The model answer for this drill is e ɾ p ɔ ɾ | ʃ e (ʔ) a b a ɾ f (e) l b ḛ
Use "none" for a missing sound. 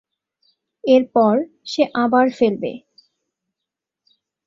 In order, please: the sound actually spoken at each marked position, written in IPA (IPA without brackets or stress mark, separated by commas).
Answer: ʔ, e